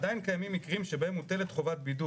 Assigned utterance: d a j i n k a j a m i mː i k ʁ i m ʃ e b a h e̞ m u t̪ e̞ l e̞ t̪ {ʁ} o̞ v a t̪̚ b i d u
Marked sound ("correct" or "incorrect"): incorrect